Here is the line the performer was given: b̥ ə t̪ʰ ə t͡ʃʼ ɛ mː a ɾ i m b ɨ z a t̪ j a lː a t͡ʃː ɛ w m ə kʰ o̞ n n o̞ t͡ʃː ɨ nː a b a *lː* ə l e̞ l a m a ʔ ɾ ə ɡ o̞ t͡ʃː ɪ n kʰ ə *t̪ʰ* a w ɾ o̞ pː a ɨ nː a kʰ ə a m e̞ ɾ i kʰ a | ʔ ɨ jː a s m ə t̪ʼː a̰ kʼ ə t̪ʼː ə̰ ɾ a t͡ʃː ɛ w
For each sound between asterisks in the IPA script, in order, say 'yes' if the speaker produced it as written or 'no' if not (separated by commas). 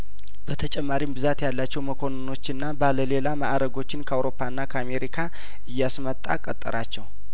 no, no